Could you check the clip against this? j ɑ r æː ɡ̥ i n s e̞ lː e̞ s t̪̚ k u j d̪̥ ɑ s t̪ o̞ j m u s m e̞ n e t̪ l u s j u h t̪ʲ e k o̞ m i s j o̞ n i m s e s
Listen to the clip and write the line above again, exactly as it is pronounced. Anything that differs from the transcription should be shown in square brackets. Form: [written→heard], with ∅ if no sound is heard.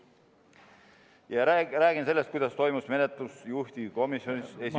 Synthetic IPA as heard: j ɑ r æː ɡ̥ i n s e̞ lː e̞ s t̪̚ k u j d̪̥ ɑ s t̪ o̞ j m u s m e̞ n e t̪ l u s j u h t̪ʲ [e→i] k o̞ m i s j o̞ n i [m→∅] s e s

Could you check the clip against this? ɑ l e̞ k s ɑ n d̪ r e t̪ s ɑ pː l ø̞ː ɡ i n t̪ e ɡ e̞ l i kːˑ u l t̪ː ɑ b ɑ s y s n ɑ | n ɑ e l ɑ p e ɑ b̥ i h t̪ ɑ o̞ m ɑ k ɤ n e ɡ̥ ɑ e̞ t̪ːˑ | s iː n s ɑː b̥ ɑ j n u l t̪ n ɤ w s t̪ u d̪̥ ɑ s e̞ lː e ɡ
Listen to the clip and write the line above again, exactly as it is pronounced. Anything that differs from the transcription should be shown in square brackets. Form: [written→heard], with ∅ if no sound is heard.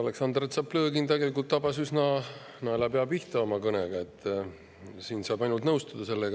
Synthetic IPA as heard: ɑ l e̞ k s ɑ n d̪ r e t̪ s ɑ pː l ø̞ː ɡ i n t̪ e ɡ e̞ l i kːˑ u l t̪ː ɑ b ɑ s y s n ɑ | n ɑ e l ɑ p e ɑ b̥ i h t̪ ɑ o̞ m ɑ k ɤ n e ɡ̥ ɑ e̞ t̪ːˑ | s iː n s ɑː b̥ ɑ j n u l t̪ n ɤ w s t̪ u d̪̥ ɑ s e̞ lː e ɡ

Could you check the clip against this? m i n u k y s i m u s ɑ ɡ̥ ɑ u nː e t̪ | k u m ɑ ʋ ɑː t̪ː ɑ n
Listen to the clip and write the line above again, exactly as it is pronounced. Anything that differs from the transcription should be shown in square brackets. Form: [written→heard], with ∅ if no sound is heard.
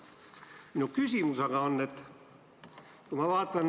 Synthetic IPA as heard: m i n u k y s i m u s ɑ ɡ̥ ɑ [u→o] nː e t̪ | k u m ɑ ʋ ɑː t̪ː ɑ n

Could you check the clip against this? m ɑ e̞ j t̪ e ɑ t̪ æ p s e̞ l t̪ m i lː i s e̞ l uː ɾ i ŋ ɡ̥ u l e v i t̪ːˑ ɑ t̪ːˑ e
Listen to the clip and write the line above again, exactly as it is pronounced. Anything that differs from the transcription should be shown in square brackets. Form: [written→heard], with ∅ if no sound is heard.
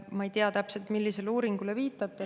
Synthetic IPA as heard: m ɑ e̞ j t̪ e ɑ t̪ æ p s e̞ l t̪ m i lː i s e̞ l uː ɾ i ŋ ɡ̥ u l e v [i→iː] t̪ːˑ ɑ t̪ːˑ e

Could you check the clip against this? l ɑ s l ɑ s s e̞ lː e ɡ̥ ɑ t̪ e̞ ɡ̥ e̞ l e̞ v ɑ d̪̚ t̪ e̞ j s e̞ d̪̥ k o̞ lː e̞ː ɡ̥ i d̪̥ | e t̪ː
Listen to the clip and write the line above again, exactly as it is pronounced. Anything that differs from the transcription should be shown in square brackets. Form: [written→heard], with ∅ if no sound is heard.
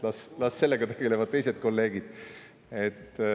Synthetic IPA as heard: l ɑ s l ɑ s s e̞ lː e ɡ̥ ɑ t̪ e̞ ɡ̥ e̞ l e̞ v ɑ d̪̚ t̪ e̞ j s e̞ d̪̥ k o̞ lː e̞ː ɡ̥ i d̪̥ | e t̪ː

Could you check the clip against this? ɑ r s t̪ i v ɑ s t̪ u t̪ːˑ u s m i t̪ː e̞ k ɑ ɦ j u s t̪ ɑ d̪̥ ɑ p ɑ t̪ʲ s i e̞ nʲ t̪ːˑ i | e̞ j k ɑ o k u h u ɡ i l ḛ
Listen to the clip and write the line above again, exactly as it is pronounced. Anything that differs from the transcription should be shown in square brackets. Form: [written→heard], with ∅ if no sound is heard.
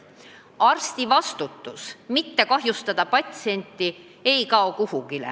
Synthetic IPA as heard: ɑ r s t̪ i v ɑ s t̪ u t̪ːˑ u s m i t̪ː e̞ k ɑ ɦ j u s t̪ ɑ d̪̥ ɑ p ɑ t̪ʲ s i e̞ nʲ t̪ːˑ i | e̞ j k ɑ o k u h u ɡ i l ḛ

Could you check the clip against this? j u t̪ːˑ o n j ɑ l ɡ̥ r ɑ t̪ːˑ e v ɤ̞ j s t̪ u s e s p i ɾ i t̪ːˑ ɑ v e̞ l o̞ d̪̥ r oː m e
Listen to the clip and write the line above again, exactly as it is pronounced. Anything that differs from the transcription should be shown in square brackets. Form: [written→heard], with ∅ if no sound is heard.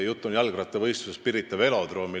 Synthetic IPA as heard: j u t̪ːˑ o n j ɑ l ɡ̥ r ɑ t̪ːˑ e v ɤ̞ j s t̪ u s e s p i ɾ i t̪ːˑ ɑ v e̞ l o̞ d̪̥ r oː m [e→i]

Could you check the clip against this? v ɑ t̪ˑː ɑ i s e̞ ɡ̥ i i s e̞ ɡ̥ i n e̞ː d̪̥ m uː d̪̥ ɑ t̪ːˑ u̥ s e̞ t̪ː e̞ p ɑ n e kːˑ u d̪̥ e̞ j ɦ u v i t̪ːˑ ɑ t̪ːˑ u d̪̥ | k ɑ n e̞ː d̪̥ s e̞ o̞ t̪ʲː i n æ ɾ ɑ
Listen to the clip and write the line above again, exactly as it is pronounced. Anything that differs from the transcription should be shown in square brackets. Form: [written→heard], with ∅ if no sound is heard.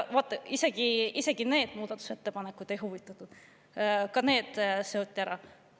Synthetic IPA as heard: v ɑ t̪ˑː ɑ i s e̞ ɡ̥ i i s e̞ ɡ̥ i n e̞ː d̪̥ m uː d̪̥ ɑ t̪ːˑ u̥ s e̞ t̪ː e̞ p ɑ n e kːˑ u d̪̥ e̞ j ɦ u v i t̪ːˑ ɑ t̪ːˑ u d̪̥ | k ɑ n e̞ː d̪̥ s e̞ o̞ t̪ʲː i [n→∅] æ ɾ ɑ

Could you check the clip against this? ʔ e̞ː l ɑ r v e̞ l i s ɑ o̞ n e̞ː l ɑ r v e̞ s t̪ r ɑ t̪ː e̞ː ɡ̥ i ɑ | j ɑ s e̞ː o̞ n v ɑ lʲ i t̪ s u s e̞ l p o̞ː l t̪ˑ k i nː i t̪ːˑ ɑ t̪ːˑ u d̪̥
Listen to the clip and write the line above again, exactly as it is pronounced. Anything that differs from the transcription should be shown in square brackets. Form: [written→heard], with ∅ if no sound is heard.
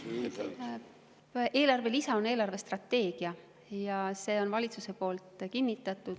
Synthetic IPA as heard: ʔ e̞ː l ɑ r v e̞ l i s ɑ o̞ n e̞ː l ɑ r v e̞ s t̪ r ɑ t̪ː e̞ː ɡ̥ i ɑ | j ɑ s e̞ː o̞ n v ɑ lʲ i t̪ s u s e̞ [l→∅] p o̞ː l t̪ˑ k i nː i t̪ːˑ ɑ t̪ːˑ u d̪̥

